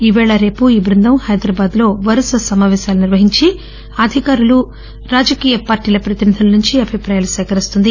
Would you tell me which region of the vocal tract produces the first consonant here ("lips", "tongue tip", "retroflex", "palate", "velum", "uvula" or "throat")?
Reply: lips